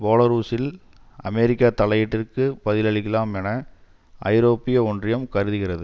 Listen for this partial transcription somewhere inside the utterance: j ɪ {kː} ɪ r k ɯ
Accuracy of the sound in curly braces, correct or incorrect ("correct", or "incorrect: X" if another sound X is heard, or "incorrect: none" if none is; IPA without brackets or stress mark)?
incorrect: ʈː